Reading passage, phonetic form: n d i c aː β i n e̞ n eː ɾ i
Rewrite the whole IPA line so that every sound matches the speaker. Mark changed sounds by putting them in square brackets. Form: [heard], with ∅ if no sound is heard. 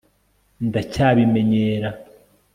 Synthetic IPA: n d [a] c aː β i [m] e̞ [ɲ] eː ɾ [a]